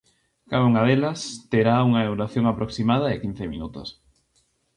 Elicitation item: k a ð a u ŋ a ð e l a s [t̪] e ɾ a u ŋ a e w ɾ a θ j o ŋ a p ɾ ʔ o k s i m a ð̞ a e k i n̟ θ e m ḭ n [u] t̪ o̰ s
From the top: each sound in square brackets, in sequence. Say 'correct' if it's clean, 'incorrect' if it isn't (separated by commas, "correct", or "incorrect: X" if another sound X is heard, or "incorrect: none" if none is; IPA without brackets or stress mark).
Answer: correct, correct